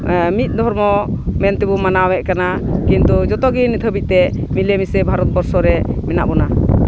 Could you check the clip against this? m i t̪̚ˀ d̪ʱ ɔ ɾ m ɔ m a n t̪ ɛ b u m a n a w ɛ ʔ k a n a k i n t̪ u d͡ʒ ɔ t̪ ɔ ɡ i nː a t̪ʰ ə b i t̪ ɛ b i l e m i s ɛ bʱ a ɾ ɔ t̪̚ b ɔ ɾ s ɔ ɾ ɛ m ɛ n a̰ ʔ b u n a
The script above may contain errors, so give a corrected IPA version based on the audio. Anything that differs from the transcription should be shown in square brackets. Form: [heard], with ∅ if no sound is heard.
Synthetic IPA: m i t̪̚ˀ d̪ʱ ɔ ɾ m ɔ m [ɛ] n t̪ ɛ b u m a n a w ɛ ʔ k a n a k i n t̪ u d͡ʒ ɔ t̪ ɔ ɡ i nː [i] t̪ʰ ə b i t̪ ɛ [m] i l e m i s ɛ bʱ a ɾ ɔ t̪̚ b ɔ ɾ s ɔ ɾ ɛ m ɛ n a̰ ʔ b [ɔ] n a